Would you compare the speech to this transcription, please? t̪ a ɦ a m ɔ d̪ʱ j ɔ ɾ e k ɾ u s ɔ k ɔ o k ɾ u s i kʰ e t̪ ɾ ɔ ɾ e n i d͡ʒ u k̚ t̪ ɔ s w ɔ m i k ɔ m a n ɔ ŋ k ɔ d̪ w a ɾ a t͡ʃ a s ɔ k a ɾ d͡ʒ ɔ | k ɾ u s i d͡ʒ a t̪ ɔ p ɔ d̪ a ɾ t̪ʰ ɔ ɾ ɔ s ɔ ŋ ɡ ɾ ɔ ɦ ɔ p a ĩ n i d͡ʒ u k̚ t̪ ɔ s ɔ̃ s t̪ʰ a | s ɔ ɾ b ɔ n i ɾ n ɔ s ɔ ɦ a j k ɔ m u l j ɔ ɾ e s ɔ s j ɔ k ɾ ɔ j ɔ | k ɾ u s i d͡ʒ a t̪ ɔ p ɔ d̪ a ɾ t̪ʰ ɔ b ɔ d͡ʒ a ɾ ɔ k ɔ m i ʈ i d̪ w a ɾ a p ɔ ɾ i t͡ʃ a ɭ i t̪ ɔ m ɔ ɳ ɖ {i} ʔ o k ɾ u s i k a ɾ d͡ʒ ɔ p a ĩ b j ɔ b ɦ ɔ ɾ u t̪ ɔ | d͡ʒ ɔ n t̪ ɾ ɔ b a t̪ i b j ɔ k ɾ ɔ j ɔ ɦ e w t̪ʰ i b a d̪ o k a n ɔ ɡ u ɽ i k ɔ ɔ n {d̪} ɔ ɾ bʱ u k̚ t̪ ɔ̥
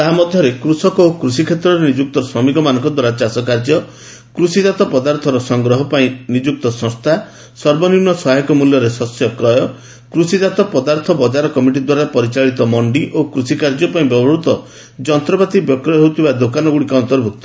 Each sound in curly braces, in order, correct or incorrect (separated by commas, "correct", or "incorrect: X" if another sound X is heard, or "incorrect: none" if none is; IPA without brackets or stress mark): correct, incorrect: t̪